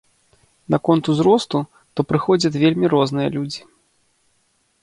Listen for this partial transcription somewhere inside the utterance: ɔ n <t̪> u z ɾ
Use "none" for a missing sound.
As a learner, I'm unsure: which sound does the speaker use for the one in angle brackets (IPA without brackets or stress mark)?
t̪